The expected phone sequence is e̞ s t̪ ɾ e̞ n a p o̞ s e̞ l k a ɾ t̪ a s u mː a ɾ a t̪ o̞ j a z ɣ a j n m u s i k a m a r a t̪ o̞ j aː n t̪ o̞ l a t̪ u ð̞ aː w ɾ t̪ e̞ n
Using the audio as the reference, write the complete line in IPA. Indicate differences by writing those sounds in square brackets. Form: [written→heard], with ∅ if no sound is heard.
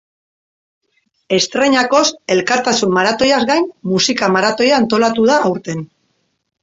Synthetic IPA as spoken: e̞ s t̪ ɾ e̞ [n→ɲ] a [p→k] o̞ s e̞ l k a ɾ t̪ a s u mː a ɾ a t̪ o̞ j a z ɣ a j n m u s i k a m a [r→ɾ] a t̪ o̞ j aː n t̪ o̞ l a t̪ u ð̞ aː w ɾ t̪ e̞ n